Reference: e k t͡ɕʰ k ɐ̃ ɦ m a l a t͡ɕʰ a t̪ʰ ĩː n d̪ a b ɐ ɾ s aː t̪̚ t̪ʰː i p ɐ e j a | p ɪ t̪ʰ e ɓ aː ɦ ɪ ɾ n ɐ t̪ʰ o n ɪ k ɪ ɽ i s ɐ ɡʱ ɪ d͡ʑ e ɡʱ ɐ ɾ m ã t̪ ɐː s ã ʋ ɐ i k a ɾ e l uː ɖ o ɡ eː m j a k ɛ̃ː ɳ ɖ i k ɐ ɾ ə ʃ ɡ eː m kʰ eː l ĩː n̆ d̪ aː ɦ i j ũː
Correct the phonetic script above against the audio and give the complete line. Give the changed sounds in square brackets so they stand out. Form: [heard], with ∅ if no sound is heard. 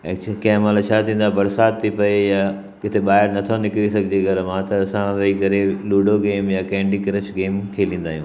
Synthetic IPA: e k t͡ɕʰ k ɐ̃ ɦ m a l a t͡ɕʰ a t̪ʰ ĩː n d̪ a b ɐ ɾ s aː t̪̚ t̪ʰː i p ɐ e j a | [k] ɪ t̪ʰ e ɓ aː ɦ ɪ ɾ n ɐ t̪ʰ o n ɪ k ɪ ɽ i s ɐ ɡʱ ɪ d͡ʑ e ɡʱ ɐ ɾ m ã t̪ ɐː s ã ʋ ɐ i k [ɐ] ɾ e l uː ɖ o ɡ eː m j a k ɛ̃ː ɳ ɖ i k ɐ ɾ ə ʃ ɡ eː m kʰ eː l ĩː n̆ d̪ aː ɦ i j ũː

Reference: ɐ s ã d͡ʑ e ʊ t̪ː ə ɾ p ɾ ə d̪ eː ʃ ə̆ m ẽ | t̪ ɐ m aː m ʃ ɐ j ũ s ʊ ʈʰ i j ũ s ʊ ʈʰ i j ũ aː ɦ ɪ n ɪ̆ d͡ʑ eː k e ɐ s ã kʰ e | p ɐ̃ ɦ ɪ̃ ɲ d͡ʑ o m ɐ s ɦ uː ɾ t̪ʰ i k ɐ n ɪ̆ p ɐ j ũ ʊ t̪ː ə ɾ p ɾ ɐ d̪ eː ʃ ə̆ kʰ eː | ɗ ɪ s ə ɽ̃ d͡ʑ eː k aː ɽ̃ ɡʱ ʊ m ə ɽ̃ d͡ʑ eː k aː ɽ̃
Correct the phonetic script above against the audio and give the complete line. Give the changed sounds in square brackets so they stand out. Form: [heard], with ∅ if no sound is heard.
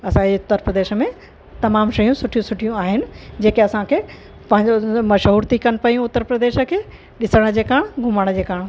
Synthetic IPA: ɐ s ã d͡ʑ e ʊ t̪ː ə ɾ p ɾ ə d̪ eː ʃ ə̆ m ẽ | t̪ ɐ m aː m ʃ ɐ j ũ s ʊ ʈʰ i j ũ s ʊ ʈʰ i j ũ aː ɦ ɪ n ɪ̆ d͡ʑ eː k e ɐ s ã kʰ e | p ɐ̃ ɦ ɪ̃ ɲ d͡ʑ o m ɐ [ʃ] ɦ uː ɾ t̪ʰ i k ɐ n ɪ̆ p ɐ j ũ ʊ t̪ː ə ɾ p ɾ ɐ d̪ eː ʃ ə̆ kʰ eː | ɗ ɪ s ə ɽ̃ d͡ʑ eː k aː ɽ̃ ɡʱ ʊ m ə ɽ̃ d͡ʑ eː k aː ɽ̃

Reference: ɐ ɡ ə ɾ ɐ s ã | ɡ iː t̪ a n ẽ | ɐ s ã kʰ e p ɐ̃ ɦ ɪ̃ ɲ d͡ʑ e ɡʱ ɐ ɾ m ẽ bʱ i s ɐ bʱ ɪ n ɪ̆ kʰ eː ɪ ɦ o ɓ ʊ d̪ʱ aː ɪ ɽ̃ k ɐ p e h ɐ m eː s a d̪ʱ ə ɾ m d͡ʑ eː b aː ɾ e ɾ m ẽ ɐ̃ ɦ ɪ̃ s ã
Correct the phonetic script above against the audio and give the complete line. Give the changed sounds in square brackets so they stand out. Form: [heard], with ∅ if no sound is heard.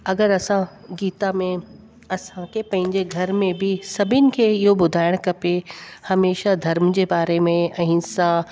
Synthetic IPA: ɐ ɡ ə ɾ ɐ s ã | ɡ iː t̪ a [m] ẽ | ɐ s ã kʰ e p ɐ̃ ɦ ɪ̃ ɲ d͡ʑ e ɡʱ ɐ ɾ m ẽ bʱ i s ɐ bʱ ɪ n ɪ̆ kʰ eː ɪ ɦ o [b] ʊ d̪ʱ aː ɪ ɽ̃ k ɐ p e h ɐ m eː [ʃ] a d̪ʱ [ɐ] ɾ m d͡ʑ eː b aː ɾ e [∅] m ẽ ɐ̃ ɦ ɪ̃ s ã

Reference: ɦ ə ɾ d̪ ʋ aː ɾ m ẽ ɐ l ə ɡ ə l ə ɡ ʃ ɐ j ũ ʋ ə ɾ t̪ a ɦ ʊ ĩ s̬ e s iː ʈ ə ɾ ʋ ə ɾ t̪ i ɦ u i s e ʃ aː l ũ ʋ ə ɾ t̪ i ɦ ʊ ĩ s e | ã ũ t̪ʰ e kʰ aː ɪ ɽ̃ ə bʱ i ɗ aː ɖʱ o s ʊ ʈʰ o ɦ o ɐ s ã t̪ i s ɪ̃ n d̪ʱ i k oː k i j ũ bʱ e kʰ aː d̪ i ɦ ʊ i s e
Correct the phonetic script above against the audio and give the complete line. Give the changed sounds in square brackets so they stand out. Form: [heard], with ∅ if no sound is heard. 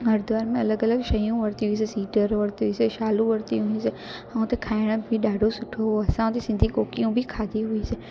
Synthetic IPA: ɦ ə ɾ d̪ ʋ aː ɾ m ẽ ɐ l ə ɡ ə l ə ɡ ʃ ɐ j ũ ʋ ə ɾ t̪ [i] ɦ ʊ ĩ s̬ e s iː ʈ ə ɾ ʋ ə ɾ t̪ i ɦ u i s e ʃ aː l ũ ʋ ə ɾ t̪ i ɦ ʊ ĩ s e | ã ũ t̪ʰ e kʰ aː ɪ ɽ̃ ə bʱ i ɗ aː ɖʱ o s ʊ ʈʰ o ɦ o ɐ s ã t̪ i s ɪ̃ n d̪ʱ i k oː k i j ũ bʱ [i] kʰ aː d̪ i ɦ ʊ i s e

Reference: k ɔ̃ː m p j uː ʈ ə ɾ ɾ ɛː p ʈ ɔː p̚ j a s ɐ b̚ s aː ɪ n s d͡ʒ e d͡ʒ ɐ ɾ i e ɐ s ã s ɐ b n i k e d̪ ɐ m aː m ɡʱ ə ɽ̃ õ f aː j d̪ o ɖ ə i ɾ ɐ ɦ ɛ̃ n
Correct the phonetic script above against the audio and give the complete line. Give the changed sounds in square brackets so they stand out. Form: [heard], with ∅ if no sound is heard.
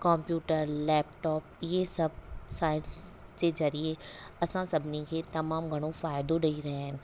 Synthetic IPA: k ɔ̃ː m p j uː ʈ ə ɾ [l] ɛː p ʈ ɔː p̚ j [e] s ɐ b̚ s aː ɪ n s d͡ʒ e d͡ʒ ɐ ɾ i e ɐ s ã s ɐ b n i k e [t̪] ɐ m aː m ɡʱ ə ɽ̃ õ f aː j d̪ o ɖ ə i ɾ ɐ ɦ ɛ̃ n

